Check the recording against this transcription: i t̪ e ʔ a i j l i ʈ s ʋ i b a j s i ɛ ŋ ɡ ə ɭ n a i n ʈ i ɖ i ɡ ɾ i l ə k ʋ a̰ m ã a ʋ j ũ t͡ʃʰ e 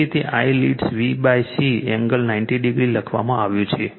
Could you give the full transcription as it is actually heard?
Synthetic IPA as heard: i t̪ e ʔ a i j l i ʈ s ʋ i b a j s i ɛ ŋ ɡ ə l n a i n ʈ i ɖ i ɡ ɾ i l ə kʰ ʋ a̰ m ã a ʋ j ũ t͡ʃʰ e